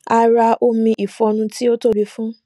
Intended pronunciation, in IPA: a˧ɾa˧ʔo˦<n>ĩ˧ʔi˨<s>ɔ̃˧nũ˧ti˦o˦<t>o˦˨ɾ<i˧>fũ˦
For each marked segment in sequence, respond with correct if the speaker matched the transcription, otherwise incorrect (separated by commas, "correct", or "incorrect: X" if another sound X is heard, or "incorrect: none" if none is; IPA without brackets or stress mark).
incorrect: m, incorrect: f, correct, correct